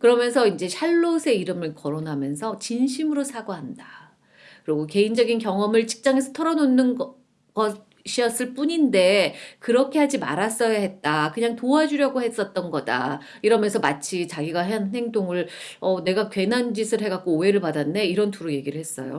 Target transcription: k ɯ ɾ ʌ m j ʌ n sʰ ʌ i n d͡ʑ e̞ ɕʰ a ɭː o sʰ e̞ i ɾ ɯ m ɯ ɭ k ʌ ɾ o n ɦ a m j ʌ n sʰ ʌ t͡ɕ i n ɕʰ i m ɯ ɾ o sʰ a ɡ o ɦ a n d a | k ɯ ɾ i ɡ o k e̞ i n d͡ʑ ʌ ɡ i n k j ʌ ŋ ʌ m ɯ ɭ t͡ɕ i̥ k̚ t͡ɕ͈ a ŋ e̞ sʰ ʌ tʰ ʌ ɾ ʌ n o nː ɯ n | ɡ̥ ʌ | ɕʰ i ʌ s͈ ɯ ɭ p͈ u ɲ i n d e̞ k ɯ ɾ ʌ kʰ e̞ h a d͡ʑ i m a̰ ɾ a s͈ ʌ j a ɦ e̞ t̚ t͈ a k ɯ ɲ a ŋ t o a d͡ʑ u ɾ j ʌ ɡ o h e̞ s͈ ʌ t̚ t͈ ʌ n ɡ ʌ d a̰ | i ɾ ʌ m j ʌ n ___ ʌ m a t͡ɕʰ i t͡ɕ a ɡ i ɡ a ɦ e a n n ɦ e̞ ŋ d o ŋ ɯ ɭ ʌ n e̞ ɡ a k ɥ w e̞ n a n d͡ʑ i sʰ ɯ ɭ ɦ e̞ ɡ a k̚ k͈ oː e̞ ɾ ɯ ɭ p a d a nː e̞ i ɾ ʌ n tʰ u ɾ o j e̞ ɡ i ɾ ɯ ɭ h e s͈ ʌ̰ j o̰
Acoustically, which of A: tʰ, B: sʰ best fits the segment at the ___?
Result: B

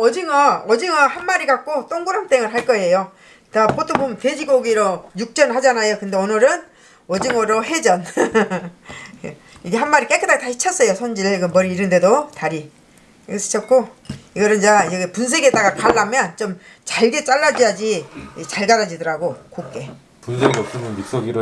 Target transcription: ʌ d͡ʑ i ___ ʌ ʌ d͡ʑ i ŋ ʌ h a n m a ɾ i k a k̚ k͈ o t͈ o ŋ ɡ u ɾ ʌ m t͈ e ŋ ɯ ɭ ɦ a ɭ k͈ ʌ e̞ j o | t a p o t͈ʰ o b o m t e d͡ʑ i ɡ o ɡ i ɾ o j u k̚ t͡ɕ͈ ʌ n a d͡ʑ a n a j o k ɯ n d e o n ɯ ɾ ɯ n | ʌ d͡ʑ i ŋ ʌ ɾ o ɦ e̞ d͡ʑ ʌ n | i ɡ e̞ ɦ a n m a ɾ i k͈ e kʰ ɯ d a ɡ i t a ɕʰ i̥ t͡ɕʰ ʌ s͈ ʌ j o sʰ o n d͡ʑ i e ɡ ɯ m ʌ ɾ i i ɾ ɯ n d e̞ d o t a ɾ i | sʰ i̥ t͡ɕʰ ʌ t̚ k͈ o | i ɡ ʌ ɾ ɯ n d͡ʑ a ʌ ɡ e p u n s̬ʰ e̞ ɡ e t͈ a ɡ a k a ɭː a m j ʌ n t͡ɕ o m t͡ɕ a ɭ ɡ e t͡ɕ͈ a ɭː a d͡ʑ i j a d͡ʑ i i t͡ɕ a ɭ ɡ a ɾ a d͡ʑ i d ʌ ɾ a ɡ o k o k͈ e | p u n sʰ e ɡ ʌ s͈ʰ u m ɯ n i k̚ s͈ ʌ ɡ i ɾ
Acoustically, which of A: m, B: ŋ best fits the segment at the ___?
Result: B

